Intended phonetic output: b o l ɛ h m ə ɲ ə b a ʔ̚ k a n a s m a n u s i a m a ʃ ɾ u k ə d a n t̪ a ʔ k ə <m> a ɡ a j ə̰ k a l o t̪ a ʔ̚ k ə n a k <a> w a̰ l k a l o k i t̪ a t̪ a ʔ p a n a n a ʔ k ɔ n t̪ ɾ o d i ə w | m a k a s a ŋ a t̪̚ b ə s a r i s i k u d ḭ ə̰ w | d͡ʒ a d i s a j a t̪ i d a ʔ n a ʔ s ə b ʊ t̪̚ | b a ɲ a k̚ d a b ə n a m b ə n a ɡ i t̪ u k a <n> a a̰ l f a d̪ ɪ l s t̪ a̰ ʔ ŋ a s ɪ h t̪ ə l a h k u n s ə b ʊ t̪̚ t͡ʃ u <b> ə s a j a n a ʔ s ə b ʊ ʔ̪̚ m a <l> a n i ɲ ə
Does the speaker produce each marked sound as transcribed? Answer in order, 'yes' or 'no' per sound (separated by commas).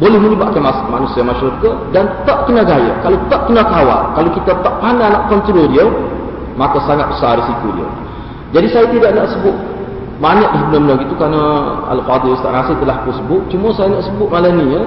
no, yes, yes, no, yes